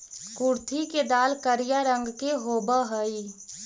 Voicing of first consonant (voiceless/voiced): voiceless